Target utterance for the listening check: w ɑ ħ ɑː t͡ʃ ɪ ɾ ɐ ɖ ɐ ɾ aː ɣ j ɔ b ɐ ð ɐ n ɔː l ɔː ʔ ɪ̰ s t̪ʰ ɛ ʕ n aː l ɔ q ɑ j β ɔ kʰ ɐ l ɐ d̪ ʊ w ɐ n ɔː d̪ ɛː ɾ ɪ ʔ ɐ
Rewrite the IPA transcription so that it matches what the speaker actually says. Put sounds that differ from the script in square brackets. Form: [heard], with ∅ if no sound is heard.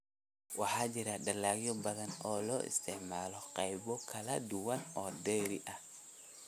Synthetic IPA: w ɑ ħ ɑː t͡ʃ ɪ ɾ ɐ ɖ ɐ [l] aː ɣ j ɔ b ɐ ð ɐ n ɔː l ɔː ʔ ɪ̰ s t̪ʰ ɛ ʕ [m] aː l ɔ q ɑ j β ɔ kʰ ɐ l ɐ d̪ ʊ w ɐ n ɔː d̪ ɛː ɾ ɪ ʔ ɐ